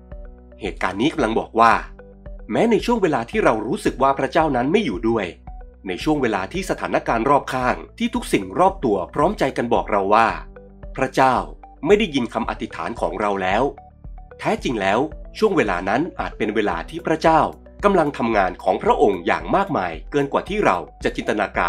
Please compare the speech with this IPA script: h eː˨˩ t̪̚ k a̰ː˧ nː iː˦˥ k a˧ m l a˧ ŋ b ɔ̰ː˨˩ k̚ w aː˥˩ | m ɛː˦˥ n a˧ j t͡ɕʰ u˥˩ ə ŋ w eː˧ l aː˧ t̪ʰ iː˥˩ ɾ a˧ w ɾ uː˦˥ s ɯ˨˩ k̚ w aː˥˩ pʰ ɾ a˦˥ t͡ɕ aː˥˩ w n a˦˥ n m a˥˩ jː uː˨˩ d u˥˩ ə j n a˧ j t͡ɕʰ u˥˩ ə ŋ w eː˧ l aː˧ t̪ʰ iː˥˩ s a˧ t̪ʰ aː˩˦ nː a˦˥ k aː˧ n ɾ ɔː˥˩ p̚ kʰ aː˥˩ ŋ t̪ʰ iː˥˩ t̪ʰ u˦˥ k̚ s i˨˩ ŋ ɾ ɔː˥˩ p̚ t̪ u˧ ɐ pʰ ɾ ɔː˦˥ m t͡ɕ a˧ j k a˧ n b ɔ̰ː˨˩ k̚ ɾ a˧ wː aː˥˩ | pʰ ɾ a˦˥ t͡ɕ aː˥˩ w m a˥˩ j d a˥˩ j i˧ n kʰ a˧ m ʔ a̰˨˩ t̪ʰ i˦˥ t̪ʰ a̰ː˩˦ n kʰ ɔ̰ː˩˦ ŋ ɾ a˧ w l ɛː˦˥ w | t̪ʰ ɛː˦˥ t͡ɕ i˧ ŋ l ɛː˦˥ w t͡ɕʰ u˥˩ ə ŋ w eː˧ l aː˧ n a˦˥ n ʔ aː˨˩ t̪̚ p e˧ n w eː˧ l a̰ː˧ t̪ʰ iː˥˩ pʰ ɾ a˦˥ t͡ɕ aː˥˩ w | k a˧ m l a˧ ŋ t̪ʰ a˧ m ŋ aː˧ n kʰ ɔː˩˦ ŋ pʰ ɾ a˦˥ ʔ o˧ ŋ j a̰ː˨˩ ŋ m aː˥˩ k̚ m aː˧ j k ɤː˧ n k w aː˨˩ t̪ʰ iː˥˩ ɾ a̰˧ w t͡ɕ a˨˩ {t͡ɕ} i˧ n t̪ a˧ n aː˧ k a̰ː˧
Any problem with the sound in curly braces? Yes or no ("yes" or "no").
no